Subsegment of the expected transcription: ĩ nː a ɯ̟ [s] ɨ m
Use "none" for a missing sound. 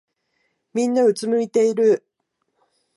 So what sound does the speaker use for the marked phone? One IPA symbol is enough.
t͡s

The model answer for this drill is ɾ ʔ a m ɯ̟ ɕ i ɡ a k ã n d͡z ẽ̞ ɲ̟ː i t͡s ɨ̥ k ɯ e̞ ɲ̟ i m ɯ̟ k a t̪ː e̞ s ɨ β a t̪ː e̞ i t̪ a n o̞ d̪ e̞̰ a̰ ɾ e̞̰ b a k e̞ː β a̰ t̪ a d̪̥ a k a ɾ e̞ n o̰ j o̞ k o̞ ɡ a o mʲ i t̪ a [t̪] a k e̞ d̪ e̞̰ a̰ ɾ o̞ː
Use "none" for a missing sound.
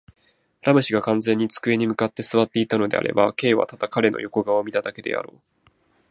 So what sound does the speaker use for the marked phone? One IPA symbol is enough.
d̪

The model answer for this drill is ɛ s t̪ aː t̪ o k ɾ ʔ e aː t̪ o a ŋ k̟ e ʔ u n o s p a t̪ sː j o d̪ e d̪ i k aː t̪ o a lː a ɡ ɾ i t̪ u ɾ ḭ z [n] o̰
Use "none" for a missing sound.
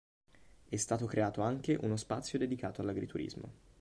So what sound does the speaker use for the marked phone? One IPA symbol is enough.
m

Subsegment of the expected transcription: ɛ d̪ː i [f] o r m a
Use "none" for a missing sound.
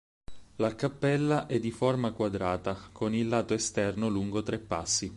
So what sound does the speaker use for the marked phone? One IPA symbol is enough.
f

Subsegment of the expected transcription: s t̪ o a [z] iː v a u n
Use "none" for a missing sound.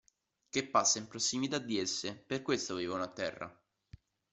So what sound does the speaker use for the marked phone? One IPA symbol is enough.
v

